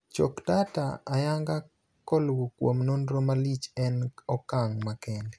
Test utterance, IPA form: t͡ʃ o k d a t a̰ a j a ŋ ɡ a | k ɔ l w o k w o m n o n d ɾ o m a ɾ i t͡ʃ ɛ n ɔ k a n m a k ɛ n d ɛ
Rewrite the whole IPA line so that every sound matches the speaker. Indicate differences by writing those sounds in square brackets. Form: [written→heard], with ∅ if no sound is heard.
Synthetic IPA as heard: t͡ʃ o k d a t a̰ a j a ŋ ɡ a | k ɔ l w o k w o m n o n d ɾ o m a [ɾ→l] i t͡ʃ ɛ n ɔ k a [n→ŋ] m a k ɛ n d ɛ